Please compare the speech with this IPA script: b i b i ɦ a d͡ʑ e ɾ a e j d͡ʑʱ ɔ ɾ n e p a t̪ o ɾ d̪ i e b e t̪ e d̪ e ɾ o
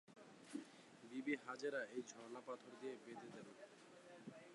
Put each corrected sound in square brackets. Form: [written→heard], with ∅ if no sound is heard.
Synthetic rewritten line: b i b i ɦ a d͡ʑ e ɾ a e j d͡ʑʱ ɔ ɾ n [e→a] p a [t̪→t̪ʰ] o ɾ d̪ i e b e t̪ e d̪ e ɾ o